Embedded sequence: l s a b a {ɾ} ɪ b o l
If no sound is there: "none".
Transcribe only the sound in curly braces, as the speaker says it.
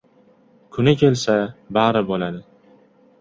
ɾ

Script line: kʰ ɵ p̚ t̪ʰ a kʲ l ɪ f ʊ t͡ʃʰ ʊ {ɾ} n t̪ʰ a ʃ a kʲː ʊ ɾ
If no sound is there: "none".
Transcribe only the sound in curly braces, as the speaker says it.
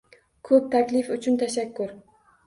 none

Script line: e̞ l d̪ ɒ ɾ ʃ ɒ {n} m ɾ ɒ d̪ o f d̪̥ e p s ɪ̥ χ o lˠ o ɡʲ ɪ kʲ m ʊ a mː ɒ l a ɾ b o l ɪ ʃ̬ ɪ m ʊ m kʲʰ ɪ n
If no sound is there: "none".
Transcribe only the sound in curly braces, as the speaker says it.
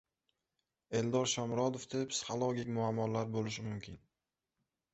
none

